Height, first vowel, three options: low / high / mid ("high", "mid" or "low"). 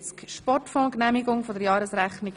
mid